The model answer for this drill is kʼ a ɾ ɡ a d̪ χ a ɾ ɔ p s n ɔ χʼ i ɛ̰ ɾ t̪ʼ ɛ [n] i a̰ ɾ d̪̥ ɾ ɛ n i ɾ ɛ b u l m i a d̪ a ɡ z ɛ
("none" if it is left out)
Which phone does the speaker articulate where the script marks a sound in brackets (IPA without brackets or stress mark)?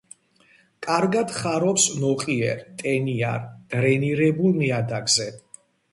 n